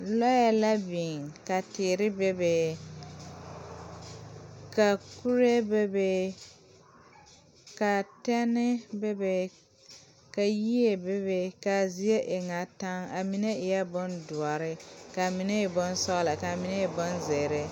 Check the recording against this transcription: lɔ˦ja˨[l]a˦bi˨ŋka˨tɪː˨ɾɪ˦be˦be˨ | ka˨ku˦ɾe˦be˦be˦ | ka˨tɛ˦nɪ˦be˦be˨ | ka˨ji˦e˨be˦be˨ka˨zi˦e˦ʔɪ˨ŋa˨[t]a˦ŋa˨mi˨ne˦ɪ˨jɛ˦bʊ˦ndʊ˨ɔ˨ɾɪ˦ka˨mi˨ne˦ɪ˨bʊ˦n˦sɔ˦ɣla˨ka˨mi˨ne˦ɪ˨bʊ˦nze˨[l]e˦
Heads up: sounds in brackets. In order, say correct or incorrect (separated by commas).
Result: correct, correct, incorrect